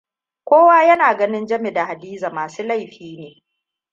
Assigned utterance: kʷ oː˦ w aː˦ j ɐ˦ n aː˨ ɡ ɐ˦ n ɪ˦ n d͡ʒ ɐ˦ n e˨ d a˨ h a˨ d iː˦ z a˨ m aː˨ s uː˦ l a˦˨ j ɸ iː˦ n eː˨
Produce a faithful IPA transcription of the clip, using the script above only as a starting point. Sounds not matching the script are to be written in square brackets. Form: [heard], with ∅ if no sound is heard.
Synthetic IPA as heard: kʷ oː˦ w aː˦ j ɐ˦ n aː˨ ɡ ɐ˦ n ɪ˦ n d͡ʒ ɐ˦ [m] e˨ d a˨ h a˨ d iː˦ z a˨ m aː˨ s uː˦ l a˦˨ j ɸ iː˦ n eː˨